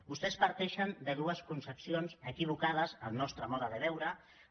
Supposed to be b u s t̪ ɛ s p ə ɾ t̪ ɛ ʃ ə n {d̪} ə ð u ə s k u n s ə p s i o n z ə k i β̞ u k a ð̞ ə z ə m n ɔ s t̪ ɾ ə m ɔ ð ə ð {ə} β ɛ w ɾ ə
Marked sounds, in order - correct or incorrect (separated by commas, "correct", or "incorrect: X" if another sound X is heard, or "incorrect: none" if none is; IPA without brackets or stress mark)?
correct, correct